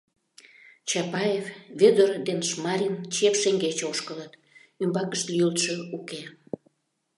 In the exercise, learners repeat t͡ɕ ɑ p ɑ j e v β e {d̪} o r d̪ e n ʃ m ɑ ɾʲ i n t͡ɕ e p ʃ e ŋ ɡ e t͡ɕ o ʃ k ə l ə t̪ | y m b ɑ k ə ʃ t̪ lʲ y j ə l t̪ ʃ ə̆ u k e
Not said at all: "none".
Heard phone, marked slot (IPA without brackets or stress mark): d̪